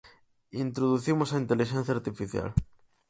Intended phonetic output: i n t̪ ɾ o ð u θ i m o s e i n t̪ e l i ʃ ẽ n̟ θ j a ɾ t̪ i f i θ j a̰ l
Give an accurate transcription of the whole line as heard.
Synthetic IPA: i n t̪ ɾ o ð u θ i m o s a i n t̪ e l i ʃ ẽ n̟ θ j a ɾ t̪ i f i θ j a̰ l

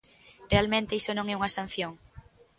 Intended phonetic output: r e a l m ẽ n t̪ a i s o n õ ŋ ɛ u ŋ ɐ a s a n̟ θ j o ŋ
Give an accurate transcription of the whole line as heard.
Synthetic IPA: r e a l m ẽ n t̪ e i s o n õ ŋ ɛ u ŋ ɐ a s a n̟ θ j o ŋ

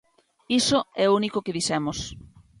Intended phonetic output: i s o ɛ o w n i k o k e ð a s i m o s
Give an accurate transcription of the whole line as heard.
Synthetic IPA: i s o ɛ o u n i k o k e ð i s ɛ m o s

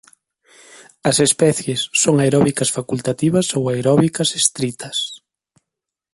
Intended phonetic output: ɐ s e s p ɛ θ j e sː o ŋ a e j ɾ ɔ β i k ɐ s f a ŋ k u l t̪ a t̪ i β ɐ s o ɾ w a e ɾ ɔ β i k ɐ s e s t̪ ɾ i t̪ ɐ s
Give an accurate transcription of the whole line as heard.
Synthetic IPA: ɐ s e s p ɛ θ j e sː o ŋ a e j ɾ ɔ β i k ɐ s f a k u l t̪ a t̪ i β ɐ s o w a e ɾ ɔ β i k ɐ s e s t̪ ɾ i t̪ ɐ s

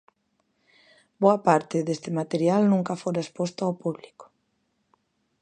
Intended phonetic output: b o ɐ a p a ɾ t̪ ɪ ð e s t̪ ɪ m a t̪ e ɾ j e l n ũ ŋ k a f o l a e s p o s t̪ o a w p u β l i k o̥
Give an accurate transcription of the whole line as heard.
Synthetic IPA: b o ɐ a p a ɾ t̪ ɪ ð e s t̪ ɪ m a t̪ e ɾ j a l n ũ ŋ k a f o ɾ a e s p o s t̪ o a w p u β l i k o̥

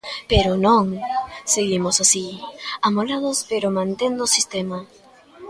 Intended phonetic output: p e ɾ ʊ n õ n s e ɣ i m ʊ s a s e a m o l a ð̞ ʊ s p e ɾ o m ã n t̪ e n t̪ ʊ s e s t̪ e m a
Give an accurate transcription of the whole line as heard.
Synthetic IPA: p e ɾ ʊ n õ ŋ s e ɣ i m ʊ s a s i a m o l a ð̞ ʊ s p e ɾ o m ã n t̪ e n d̪ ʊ s i s t̪ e m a

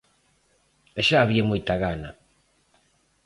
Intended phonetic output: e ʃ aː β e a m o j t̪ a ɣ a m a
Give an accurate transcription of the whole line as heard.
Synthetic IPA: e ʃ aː β i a m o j t̪ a ɣ a n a

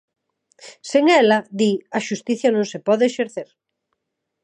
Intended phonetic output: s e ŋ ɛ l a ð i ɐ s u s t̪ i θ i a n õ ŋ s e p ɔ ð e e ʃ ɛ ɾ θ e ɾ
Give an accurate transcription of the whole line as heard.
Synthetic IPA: s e ŋ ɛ l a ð i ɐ ʃ u s t̪ i θ j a n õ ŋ s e p ɔ ð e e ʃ e ɾ θ e ɾ

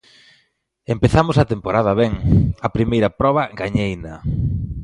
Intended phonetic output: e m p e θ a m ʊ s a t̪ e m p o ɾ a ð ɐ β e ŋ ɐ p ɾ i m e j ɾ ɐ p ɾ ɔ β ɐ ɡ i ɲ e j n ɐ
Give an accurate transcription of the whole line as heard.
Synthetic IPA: e m p e θ a m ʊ s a t̪ e m p o ɾ a ð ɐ β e ŋ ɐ p ɾ i m e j ɾ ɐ p ɾ ɔ β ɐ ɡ a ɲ e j n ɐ

